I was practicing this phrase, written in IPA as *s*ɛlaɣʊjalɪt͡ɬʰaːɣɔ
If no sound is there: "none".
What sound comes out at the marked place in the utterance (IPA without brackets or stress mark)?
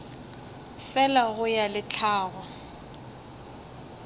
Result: f